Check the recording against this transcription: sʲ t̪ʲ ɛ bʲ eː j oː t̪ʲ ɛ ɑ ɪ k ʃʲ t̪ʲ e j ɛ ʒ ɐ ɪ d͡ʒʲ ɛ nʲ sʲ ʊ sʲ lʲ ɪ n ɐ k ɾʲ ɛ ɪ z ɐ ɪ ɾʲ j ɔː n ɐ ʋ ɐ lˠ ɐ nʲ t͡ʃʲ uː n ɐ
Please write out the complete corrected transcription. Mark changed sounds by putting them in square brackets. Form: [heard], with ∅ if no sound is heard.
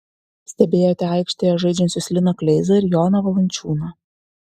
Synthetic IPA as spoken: sʲ t̪ʲ ɛ bʲ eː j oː t̪ʲ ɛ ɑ ɪ k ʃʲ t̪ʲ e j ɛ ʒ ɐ ɪ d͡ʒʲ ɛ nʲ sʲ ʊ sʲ lʲ ɪ n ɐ k [lʲ] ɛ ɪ z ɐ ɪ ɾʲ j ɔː n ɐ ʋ ɐ lˠ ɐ nʲ t͡ʃʲ uː n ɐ